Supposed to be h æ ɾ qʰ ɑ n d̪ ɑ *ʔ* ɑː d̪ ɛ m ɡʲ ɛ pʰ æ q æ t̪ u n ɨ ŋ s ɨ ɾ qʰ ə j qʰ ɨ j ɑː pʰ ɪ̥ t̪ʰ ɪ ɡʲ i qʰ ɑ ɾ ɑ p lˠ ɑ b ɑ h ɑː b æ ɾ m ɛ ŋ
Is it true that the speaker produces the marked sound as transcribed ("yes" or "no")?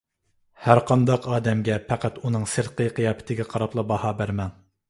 no